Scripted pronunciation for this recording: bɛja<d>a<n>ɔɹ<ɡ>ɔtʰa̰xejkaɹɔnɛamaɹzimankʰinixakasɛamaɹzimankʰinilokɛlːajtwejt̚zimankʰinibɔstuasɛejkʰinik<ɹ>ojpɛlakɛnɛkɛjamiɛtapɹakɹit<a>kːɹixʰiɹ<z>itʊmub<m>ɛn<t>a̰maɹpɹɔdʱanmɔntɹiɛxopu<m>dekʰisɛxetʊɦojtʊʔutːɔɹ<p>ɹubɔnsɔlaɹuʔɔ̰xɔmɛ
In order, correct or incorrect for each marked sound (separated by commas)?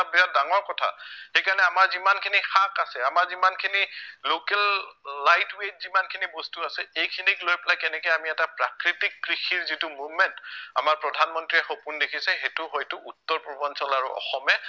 correct, incorrect, incorrect, incorrect, incorrect, correct, correct, correct, incorrect, correct